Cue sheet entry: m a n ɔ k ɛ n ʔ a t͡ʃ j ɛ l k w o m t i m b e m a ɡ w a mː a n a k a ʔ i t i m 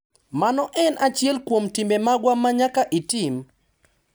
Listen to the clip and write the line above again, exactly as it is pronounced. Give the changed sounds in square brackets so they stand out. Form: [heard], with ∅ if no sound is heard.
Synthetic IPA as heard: m a n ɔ [ʔ] ɛ n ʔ a t͡ʃ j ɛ l k w o m t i m b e m a ɡ w a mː a [ɲ] a k a ʔ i t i m